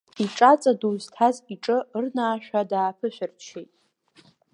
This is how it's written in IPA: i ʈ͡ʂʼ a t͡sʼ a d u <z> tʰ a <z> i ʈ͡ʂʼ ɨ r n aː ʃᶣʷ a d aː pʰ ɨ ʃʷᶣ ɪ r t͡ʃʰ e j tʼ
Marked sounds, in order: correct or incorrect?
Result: correct, correct

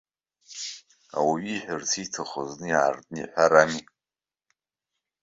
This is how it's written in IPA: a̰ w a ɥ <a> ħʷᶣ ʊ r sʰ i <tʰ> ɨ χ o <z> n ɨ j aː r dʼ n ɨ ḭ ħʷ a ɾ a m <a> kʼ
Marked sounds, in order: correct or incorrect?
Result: incorrect: i, correct, correct, incorrect: i

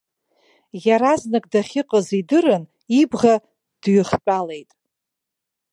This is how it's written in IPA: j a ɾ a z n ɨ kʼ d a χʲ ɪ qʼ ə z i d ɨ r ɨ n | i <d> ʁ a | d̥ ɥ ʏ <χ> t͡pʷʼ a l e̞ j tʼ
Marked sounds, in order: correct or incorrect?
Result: incorrect: b, correct

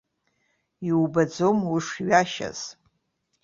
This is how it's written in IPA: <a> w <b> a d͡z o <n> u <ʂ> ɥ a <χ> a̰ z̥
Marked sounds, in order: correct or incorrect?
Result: incorrect: i, correct, incorrect: m, correct, incorrect: ʃ

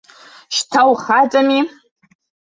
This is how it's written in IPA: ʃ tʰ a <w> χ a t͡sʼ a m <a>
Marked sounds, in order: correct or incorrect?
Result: correct, incorrect: i

